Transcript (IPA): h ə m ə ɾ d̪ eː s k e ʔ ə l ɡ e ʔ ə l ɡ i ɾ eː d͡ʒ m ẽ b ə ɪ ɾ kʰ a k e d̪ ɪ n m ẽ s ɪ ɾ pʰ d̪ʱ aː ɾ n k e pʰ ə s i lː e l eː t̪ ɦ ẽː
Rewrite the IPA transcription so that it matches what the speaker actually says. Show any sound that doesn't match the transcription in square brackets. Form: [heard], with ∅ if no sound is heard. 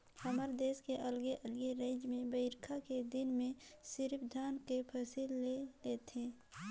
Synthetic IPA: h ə m ə ɾ d̪ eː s k e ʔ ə l ɡ e ʔ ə l ɡ [e] ɾ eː d͡ʒ m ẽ b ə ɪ ɾ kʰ a k e d̪ ɪ n m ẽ s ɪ ɾ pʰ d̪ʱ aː [∅] n k e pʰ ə s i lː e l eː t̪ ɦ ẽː